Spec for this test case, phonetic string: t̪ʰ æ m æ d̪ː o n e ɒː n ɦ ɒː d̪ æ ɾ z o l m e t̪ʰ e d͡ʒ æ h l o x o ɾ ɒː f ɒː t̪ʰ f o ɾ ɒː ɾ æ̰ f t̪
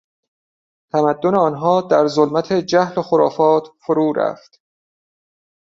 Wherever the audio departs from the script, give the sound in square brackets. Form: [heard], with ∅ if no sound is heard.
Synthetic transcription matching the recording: t̪ʰ æ m æ d̪ː o n e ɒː n ɦ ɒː d̪ æ ɾ z o l m [æ] t̪ʰ e d͡ʒ æ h l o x o ɾ ɒː f ɒː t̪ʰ f o ɾ [uː] ɾ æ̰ f t̪